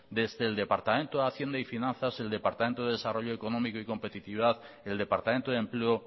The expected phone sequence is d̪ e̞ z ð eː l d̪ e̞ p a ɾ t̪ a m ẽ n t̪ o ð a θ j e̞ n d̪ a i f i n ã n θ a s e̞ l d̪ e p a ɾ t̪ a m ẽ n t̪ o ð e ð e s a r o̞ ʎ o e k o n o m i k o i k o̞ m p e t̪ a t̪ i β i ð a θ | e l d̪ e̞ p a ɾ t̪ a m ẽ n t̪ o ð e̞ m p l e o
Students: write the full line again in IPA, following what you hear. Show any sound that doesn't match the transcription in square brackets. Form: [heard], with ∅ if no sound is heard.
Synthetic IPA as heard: d̪ e̞ z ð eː l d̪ e̞ p a ɾ t̪ a m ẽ n t̪ o ð a θ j e̞ n d̪ a i f i n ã n θ a s e̞ l d̪ e p a ɾ t̪ a m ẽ n t̪ o ð e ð e s a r o̞ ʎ o e k o n o m i k o i k o̞ m p e t̪ [i] t̪ i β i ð a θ | e l d̪ e̞ p a ɾ t̪ a m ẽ n t̪ o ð e̞ m p l e o